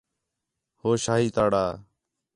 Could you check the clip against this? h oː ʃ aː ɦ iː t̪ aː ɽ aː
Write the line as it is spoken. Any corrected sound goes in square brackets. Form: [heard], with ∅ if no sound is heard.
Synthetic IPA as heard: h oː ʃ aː ɦ iː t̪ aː ɽ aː